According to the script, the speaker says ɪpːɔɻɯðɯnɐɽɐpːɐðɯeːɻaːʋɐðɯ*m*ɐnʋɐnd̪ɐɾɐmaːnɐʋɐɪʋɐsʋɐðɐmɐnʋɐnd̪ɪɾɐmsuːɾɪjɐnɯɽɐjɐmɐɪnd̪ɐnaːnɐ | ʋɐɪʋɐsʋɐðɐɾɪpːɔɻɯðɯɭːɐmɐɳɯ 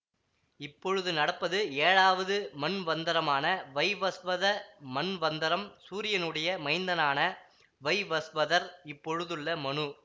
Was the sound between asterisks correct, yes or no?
yes